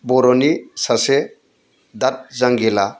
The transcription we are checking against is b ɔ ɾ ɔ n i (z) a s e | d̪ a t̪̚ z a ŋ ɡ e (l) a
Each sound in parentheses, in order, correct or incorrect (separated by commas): incorrect, correct